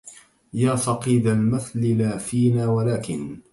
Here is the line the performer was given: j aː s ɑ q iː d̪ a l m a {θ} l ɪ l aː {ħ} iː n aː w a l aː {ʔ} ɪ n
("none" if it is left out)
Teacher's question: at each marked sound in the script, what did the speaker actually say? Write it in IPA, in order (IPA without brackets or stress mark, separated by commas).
θ, f, k